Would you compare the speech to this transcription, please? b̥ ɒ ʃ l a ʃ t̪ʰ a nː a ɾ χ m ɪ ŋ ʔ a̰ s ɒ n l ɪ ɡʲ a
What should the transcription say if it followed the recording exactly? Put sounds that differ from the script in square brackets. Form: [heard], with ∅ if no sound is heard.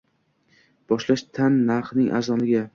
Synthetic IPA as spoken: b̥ ɒ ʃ l a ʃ t̪ʰ a nː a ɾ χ [n] ɪ ŋ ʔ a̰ [z] ɒ n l ɪ ɡʲ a